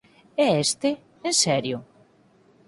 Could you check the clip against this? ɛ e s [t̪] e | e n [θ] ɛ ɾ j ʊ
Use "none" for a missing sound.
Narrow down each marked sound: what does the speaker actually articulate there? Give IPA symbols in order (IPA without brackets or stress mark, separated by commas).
t̪, s